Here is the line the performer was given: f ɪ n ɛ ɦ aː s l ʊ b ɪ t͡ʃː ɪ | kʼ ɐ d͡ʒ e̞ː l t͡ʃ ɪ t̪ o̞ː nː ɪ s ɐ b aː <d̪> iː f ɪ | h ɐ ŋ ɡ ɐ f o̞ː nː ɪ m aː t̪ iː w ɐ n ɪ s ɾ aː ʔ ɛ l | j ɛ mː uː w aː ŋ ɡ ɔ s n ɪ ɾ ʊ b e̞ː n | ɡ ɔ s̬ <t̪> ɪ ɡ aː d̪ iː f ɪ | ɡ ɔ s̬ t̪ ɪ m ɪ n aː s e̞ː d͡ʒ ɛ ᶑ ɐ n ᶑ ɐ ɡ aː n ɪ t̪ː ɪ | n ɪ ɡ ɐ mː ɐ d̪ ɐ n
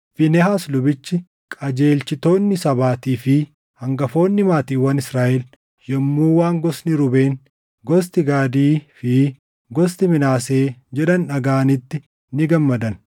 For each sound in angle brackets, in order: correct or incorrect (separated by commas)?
incorrect, correct